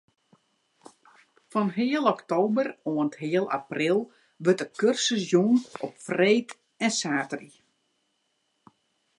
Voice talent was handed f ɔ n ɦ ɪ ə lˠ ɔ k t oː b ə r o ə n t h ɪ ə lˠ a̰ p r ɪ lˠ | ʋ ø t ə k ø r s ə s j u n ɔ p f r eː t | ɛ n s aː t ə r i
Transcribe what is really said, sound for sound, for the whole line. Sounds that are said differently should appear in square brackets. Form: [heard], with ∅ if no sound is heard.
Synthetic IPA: f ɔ n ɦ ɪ ə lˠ ɔ k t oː b ə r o ə n t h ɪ ə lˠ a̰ p r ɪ lˠ | ʋ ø t ə k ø r s ə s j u n ɔ p f r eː t | ɛ n s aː t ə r i